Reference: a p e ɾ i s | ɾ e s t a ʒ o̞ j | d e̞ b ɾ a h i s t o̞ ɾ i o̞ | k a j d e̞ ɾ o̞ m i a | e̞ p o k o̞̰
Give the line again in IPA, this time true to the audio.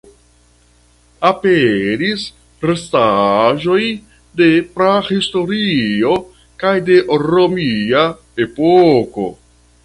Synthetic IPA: a p e ɾ i s | ɾ e s t a ʒ o̞ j | d e̞ p ɾ a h i s t o̞ ɾ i o̞ | k a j d e̞ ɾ o̞ m i a | e̞ p o k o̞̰